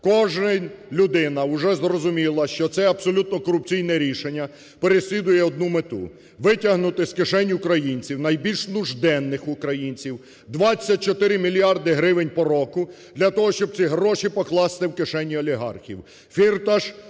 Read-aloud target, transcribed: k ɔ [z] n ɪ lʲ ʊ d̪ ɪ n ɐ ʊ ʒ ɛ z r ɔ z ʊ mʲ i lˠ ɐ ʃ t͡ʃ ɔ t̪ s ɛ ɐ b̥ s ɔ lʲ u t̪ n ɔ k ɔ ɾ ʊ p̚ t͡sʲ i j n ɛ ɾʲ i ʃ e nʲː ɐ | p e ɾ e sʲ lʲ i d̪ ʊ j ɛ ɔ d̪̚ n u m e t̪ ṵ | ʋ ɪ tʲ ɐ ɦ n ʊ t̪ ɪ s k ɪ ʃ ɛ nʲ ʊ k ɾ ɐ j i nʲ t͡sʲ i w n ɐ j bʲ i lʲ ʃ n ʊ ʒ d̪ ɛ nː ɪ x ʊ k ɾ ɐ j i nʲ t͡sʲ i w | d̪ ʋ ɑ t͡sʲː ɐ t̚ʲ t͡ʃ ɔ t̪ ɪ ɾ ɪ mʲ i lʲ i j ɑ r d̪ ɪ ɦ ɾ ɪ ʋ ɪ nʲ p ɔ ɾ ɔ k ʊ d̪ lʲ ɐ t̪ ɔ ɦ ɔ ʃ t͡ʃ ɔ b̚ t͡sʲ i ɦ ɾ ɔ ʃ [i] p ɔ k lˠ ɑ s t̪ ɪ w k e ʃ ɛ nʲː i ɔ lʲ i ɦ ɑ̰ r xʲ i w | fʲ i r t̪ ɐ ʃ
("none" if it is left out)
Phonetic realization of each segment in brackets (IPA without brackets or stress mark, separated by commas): ʒ, i